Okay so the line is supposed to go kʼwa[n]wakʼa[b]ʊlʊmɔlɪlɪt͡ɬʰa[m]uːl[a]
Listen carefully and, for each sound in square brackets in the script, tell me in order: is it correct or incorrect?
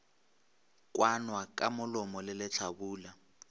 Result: correct, incorrect: m, incorrect: b, correct

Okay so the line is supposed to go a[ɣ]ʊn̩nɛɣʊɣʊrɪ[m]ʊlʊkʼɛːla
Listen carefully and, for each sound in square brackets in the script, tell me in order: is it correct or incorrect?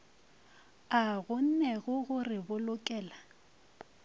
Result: correct, incorrect: b

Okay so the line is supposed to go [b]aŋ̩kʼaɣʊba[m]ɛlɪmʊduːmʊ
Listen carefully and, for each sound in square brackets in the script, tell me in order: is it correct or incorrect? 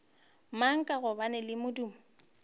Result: incorrect: m, incorrect: n

